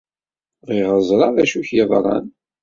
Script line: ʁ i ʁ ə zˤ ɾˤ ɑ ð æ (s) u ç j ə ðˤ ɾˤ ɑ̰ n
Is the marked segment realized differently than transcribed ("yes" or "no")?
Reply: yes